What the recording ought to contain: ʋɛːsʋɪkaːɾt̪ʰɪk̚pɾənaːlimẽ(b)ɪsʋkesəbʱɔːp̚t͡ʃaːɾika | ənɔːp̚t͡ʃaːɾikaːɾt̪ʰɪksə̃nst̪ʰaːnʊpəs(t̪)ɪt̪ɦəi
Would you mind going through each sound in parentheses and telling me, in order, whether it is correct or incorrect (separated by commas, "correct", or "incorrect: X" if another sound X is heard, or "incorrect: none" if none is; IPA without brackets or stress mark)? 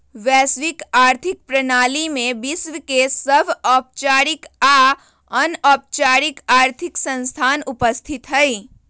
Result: correct, incorrect: t̪ʰ